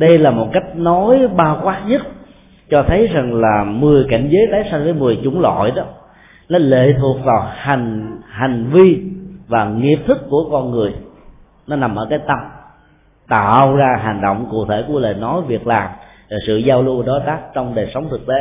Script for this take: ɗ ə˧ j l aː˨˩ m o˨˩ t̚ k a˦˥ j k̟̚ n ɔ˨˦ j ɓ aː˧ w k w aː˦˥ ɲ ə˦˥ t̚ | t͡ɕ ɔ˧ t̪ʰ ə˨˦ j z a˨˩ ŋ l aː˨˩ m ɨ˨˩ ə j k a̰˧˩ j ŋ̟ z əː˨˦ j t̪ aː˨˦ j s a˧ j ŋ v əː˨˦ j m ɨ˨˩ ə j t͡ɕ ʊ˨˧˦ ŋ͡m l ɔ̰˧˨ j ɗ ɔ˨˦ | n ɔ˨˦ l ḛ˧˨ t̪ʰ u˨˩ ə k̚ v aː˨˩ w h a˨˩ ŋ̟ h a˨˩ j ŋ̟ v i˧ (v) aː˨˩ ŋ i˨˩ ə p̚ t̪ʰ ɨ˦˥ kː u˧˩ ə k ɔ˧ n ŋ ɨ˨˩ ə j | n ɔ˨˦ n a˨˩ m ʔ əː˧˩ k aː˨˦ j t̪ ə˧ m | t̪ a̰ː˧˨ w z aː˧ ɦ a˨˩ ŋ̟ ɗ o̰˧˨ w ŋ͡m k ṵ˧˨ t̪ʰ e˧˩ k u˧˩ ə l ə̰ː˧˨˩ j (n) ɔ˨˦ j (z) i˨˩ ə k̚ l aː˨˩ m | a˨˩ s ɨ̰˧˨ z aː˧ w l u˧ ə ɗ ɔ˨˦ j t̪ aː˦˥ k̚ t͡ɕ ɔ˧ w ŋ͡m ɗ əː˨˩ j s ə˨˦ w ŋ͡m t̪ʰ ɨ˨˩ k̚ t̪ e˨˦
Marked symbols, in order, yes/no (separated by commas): yes, yes, no